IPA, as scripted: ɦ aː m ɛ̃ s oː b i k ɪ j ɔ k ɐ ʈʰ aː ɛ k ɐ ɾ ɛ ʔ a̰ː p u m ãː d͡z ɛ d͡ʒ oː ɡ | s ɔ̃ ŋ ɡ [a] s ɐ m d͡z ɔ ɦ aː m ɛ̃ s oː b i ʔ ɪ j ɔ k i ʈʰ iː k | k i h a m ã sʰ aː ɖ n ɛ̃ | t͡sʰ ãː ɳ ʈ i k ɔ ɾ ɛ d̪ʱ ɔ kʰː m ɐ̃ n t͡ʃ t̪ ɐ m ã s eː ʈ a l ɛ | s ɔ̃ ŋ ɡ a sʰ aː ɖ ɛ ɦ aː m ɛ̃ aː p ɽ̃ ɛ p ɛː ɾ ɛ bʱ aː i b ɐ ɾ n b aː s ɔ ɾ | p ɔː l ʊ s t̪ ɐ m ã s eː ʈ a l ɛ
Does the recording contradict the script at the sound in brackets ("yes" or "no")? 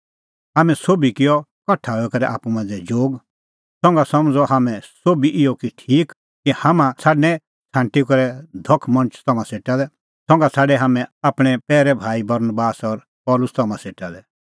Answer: no